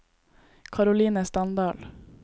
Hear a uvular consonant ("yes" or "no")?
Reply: no